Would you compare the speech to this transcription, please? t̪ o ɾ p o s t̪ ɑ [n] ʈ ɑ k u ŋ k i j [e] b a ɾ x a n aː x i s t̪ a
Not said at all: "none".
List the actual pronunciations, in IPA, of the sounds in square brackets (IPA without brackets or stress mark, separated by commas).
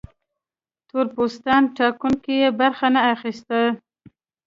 n, e